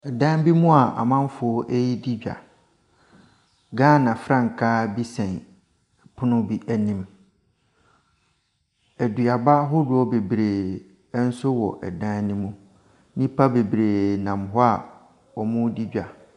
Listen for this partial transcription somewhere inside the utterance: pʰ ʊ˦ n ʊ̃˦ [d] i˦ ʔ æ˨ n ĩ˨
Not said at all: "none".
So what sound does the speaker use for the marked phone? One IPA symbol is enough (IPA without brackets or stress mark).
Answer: b